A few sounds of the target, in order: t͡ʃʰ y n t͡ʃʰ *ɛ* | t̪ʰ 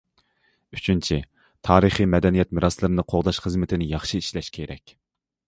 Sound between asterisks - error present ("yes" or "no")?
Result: yes